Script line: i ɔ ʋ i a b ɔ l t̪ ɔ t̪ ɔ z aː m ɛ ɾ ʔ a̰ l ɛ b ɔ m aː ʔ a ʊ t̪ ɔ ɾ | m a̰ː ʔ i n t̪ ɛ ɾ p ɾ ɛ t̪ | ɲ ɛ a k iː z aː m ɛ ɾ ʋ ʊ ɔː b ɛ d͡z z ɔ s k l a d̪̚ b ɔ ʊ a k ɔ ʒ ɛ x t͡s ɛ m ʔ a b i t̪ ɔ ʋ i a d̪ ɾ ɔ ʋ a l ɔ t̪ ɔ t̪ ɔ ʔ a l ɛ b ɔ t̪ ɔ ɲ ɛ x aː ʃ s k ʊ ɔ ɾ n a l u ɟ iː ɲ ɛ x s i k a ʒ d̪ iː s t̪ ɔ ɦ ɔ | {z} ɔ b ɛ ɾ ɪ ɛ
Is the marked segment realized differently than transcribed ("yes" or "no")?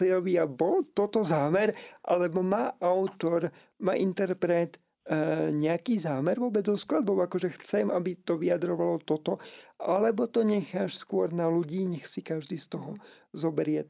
no